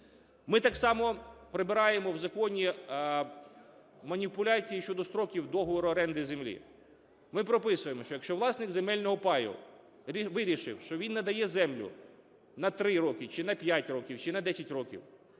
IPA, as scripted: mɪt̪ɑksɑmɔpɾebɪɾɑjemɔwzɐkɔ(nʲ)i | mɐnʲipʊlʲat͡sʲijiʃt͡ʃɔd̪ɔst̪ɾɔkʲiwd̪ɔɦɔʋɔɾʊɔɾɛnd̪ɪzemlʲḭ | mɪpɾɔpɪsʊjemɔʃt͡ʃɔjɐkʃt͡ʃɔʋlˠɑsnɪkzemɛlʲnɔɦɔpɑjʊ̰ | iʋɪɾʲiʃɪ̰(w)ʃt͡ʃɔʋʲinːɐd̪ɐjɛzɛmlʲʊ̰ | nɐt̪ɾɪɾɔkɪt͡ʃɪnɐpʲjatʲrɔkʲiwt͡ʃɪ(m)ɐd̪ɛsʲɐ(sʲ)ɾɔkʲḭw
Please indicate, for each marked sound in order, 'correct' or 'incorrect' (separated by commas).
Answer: correct, correct, incorrect, incorrect